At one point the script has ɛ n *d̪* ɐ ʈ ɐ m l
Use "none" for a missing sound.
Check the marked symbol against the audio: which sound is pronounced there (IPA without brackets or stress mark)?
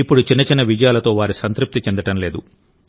d̪